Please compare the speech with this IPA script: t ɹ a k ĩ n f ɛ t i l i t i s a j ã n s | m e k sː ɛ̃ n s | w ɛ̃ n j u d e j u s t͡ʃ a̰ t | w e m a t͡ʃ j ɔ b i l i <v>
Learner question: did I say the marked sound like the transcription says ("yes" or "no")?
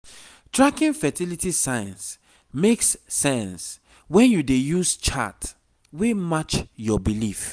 no